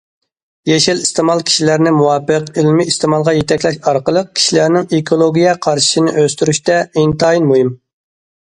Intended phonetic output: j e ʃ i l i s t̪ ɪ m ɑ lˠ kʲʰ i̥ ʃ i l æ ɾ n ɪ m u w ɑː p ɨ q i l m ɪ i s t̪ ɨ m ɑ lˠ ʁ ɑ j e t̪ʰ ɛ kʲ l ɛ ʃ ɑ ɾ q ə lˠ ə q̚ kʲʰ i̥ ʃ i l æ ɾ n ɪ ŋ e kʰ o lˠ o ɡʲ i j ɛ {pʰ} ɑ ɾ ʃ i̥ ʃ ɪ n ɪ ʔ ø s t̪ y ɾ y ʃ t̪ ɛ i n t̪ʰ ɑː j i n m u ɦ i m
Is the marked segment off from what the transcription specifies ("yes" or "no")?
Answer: yes